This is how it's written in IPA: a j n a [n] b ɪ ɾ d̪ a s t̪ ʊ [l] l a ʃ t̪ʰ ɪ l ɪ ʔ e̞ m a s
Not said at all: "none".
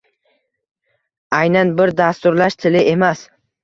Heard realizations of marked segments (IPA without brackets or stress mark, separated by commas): n, ɾ